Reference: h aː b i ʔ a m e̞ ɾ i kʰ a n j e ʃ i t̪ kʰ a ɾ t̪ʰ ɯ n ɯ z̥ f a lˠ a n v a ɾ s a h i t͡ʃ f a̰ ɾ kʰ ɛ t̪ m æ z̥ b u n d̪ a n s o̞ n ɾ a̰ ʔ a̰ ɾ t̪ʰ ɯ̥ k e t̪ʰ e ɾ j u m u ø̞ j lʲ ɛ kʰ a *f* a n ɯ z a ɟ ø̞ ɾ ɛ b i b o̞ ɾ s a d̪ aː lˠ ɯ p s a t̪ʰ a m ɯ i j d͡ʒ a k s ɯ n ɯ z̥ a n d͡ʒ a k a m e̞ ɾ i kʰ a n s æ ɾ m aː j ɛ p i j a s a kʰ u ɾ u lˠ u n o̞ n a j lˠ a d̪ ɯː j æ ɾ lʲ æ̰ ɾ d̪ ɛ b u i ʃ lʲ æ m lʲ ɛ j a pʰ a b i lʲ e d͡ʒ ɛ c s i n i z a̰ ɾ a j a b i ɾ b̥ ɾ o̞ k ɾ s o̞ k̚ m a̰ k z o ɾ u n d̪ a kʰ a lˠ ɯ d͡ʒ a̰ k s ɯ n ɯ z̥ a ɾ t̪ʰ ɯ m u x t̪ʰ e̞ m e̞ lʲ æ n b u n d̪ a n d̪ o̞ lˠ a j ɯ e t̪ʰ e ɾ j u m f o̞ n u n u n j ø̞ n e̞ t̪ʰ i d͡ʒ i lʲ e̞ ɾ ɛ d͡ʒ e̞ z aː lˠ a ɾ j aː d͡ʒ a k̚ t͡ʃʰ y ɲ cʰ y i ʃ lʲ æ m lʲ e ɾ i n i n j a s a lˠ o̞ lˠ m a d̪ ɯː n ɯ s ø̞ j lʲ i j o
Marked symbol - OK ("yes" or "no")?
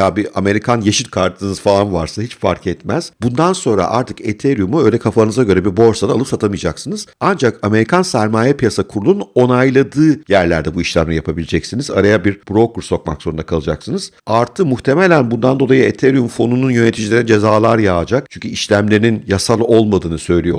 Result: yes